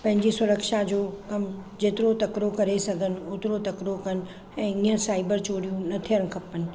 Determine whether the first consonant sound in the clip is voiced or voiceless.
voiceless